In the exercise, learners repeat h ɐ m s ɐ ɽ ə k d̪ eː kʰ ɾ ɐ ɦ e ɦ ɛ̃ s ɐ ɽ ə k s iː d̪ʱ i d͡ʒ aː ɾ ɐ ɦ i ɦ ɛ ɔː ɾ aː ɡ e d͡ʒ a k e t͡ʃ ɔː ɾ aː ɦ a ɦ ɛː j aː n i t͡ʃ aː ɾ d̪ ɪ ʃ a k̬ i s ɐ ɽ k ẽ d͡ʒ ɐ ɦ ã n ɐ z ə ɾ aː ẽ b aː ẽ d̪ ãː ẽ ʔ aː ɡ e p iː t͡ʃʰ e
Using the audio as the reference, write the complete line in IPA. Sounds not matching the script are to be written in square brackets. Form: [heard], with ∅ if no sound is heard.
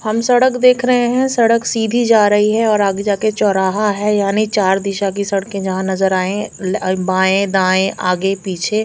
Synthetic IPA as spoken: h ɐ m s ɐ ɽ ə k d̪ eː kʰ ɾ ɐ ɦ e ɦ ɛ̃ s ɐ ɽ ə k s iː d̪ʱ i d͡ʒ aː ɾ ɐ ɦ i ɦ ɛ ɔː ɾ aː ɡ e d͡ʒ a k e t͡ʃ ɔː ɾ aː ɦ a ɦ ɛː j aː n i t͡ʃ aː ɾ d̪ ɪ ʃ a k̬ i s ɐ ɽ k ẽ d͡ʒ ɐ ɦ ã n ɐ z ə ɾ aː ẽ b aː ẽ d̪ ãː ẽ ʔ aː ɡ e p iː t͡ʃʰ e